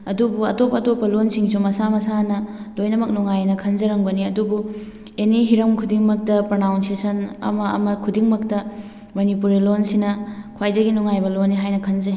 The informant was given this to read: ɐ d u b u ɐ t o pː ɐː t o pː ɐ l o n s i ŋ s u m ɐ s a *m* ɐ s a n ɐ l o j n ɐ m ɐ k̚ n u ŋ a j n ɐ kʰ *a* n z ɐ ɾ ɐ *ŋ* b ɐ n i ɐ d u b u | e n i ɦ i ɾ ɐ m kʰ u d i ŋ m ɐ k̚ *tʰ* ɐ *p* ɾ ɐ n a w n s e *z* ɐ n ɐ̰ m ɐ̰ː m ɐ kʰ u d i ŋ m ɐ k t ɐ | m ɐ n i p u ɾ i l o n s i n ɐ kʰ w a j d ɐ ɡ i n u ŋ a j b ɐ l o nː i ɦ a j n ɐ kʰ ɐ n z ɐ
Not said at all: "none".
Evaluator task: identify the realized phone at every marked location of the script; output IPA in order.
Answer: m, ɐ, ŋ, t, p, s

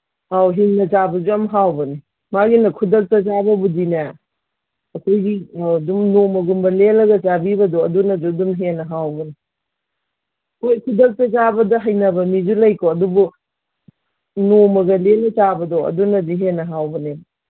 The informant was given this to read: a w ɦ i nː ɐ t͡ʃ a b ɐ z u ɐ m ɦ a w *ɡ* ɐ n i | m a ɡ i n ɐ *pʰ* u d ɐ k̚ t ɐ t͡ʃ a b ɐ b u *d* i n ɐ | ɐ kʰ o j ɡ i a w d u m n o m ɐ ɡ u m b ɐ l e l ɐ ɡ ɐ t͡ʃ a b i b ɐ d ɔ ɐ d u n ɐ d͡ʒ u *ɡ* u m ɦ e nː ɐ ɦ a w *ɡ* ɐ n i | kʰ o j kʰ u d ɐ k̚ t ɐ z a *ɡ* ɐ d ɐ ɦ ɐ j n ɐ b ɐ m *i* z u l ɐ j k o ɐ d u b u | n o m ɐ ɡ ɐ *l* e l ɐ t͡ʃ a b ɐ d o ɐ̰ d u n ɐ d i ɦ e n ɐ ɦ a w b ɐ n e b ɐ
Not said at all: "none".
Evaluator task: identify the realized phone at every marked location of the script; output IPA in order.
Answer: b, kʰ, d, d, b, b, i, l

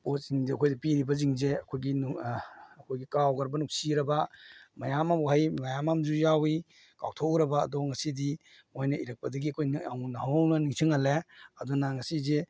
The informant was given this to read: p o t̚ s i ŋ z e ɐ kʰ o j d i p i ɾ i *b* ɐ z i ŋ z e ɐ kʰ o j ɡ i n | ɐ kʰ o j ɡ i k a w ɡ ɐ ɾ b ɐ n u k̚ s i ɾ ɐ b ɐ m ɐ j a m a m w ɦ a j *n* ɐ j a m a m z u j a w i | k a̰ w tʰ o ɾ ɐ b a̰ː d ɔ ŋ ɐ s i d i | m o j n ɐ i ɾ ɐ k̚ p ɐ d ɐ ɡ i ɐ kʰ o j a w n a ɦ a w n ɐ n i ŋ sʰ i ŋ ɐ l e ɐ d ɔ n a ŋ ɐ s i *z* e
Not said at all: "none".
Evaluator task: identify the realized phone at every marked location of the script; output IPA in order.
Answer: b, m, z

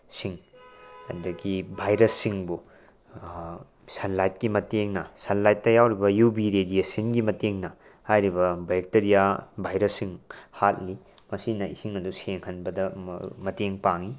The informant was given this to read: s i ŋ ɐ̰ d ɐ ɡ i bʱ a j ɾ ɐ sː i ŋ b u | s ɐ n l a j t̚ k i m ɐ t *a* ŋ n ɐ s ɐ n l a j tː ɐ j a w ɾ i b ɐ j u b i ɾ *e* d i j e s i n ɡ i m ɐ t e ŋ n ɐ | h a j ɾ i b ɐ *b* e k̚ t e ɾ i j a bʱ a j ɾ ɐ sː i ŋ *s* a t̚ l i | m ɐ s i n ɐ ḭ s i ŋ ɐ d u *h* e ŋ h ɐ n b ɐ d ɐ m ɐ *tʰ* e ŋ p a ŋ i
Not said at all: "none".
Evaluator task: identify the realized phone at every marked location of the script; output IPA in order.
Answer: e, e, b, h, s, t

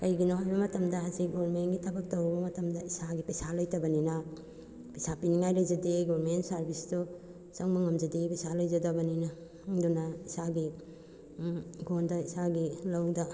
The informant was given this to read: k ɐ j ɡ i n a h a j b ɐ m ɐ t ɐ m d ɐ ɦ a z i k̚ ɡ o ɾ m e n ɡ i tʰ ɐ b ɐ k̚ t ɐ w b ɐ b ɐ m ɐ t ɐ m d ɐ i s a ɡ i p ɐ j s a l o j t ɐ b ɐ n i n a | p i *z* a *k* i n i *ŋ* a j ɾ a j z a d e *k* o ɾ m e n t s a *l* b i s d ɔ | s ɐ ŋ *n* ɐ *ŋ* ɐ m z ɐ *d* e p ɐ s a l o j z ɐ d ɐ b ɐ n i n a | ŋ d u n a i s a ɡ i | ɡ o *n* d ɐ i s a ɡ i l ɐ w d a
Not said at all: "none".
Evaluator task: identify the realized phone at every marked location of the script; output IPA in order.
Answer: s, p, ŋ, ɡ, ɾ, m, ŋ, d, n

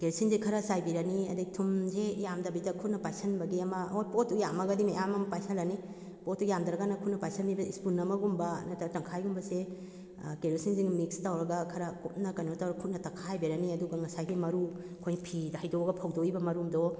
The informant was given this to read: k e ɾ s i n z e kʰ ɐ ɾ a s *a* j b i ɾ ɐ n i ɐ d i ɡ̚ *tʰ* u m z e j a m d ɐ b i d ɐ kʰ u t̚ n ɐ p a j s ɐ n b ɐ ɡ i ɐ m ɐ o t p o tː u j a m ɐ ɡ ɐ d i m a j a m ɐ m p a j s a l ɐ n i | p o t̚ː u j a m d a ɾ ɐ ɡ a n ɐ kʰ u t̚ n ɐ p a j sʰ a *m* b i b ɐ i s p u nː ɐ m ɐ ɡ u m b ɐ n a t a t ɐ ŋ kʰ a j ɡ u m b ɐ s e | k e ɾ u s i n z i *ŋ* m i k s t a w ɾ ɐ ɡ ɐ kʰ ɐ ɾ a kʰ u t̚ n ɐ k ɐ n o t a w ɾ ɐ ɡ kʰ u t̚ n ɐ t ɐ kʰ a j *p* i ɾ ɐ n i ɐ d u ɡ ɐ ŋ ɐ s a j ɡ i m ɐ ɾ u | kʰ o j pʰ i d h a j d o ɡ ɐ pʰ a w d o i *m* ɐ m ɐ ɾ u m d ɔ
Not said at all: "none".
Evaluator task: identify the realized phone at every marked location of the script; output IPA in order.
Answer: a, tʰ, n, ŋ, b, b

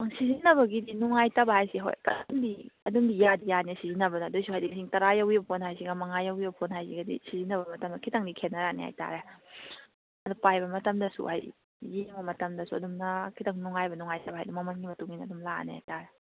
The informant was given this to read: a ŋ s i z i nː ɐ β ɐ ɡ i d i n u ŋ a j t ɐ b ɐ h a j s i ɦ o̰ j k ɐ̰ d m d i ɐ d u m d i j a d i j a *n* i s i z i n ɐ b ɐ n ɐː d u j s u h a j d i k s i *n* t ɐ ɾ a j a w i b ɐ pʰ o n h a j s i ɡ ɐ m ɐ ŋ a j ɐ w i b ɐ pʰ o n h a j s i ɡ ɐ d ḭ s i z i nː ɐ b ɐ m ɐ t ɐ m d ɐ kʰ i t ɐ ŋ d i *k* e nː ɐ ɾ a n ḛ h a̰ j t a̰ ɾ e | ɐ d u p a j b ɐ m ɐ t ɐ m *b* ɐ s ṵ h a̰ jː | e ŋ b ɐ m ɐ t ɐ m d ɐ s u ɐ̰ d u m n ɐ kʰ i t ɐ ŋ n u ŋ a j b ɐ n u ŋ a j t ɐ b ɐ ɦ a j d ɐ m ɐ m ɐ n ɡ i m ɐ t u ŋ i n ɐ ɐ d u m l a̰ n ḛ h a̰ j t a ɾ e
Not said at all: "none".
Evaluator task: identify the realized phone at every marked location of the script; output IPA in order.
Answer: n, ŋ, kʰ, d

